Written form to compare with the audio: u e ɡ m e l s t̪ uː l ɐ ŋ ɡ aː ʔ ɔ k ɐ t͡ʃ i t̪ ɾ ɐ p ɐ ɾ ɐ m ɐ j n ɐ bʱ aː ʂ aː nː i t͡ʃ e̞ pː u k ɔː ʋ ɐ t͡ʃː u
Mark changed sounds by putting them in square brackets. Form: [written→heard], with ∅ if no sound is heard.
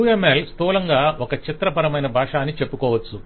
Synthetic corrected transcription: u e [ɡ→∅] m e l s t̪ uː l ɐ ŋ ɡ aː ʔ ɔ k ɐ t͡ʃ i t̪ ɾ ɐ p ɐ ɾ ɐ m ɐ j n ɐ bʱ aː ʂ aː nː i t͡ʃ e̞ pː u k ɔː ʋ ɐ t͡ʃː u